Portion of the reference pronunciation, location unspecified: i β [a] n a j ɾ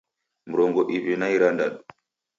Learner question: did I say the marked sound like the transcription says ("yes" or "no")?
no